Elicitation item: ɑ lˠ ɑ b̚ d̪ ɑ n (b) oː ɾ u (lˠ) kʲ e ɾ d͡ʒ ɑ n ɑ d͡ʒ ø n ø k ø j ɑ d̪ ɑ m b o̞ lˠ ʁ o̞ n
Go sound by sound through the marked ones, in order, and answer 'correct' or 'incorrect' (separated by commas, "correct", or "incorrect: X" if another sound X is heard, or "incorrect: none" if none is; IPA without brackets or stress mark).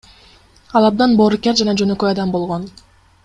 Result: correct, incorrect: none